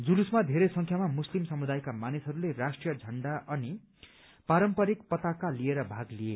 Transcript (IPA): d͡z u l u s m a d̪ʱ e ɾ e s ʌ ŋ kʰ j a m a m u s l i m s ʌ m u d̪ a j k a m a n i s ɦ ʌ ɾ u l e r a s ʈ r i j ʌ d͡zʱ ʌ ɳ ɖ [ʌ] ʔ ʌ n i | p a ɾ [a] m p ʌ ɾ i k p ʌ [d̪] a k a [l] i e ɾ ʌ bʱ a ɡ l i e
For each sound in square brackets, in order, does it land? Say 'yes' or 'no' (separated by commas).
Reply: no, no, no, yes